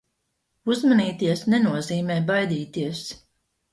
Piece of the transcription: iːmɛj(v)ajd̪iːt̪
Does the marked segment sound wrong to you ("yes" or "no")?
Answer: yes